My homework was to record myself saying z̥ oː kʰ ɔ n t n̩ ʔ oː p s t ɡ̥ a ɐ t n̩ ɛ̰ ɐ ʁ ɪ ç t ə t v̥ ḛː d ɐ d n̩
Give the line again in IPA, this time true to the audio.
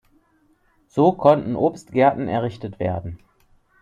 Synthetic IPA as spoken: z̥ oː kʰ ɔ n t n̩ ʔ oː p s t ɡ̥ ɛ ɐ t n̩ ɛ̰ ɐ ʁ ɪ ç t ə t v̥ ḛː ɐ d n̩

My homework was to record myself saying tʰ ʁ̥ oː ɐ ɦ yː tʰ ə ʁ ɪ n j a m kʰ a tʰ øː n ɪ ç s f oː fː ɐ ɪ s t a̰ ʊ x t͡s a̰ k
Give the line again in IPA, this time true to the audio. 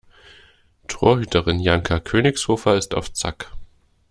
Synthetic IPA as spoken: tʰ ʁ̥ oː ɐ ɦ yː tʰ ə ʁ ɪ n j a ŋ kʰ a kʰ øː n ɪ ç s h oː f ɐ ɪ s t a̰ ʊ f t͡s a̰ k

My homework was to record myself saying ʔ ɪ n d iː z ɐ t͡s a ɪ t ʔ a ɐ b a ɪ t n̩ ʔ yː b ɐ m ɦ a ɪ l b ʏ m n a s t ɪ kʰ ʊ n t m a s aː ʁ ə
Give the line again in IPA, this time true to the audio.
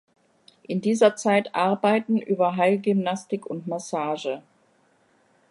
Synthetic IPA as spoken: ʔ ɪ n d iː z ɐ t͡s a ɪ t ʔ a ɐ b a ɪ t n̩ ʔ yː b ɐ ɦ a ɪ l ɡ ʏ m n a s t ɪ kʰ ʊ n t m a s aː ʒ ə

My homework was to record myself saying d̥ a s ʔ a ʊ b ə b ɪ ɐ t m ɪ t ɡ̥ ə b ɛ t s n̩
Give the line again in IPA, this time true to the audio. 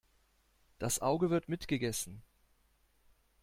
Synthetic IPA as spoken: d̥ a s ʔ a ʊ ɡ ə v ɪ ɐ t m ɪ t ɡ̥ ə ɡ ɛ s n̩

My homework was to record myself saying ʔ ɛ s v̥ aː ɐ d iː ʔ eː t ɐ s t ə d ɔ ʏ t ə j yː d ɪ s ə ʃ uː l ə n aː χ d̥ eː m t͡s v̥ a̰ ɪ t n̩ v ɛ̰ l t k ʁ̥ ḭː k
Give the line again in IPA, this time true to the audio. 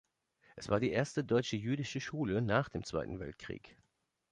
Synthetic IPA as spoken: ʔ ɛ s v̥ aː ɐ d iː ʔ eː ɐ s t ə d ɔ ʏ t͡ʃ ə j yː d ɪ ʃ ə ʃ uː l ə n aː χ d̥ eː m t͡s v̥ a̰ ɪ t n̩ v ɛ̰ l t k ʁ̥ ḭː k

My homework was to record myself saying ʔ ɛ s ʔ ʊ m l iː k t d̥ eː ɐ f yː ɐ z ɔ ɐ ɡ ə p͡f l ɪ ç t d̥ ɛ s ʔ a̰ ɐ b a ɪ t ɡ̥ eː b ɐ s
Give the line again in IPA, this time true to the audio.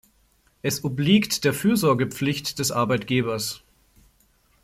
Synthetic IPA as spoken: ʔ ɛ s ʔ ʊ b l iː k t d̥ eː ɐ f yː ɐ z ɔ ɐ ɡ ə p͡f l ɪ ç t d̥ ɛ s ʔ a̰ ɐ b a ɪ t ɡ̥ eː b ɐ s

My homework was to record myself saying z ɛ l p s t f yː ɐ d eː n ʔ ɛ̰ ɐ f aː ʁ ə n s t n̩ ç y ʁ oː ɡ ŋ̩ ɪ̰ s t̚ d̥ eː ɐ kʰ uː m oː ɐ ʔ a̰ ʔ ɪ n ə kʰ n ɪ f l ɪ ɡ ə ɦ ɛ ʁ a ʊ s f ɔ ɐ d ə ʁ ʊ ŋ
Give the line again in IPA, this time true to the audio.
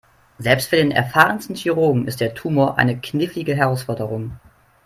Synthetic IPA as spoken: z ɛ l p s t f yː ɐ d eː n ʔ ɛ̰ ɐ f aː ʁ ə n s t n̩ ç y ʁ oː ɡ ŋ̩ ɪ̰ s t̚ d̥ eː ɐ tʰ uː m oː ɐ ʔ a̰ ɪ n ə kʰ n ɪ f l ɪ ɡ ə ɦ ɛ ʁ a ʊ s f ɔ ɐ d ə ʁ ʊ ŋ

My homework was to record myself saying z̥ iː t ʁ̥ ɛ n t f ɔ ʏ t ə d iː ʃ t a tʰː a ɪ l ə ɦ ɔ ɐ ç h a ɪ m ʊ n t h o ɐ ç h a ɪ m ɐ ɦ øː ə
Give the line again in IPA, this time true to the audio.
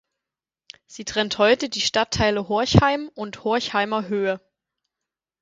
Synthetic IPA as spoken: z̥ iː t ʁ̥ ɛ n t h ɔ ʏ t ə d iː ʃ t a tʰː a ɪ l ə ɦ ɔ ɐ ç h a ɪ m ʊ n t h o ɐ ç h a ɪ m ɐ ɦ øː ə

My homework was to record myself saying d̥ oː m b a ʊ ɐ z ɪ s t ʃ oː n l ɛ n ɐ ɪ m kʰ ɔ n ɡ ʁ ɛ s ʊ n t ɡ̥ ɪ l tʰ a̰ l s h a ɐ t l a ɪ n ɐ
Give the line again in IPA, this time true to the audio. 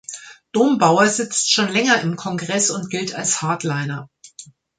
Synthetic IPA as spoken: d̥ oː m b a ʊ ɐ z ɪ t͡s t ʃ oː n l ɛ ŋ ɐ ɪ m kʰ ɔ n ɡ ʁ ɛ s ʊ n t ɡ̥ ɪ l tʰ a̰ l s h a ɐ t l a ɪ n ɐ

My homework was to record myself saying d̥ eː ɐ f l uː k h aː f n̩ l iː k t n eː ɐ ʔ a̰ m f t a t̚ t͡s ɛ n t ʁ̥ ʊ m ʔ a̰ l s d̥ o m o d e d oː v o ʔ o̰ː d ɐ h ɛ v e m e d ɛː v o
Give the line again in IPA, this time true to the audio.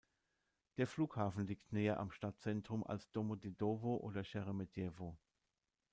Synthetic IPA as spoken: d̥ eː ɐ f l uː k h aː f n̩ l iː k t n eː ɐ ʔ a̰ m ʃ t a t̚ t͡s ɛ n t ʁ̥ ʊ m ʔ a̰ l s d̥ o m o d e d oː v o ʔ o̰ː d ɐ ʃ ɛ ʁ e m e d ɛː v o

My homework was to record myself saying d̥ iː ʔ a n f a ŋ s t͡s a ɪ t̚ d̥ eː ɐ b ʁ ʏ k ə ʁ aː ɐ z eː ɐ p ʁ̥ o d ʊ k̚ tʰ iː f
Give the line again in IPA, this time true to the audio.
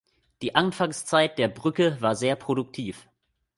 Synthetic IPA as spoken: d̥ iː ʔ a n f a ŋ s t͡s a ɪ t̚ d̥ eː ɐ b ʁ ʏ k ə v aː ɐ z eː ɐ p ʁ̥ o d ʊ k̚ tʰ iː f

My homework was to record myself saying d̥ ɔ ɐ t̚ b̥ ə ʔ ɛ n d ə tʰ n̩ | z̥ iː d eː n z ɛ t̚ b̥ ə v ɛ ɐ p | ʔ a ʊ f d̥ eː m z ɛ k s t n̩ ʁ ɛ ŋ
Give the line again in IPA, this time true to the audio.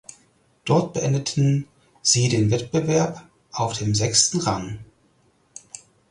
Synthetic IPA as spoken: d̥ ɔ ɐ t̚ b̥ ə ʔ ɛ n d ə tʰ n̩ | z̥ iː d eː n v ɛ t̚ b̥ ə v ɛ ɐ p | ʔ a ʊ f d̥ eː m z ɛ k s t n̩ ʁ a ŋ

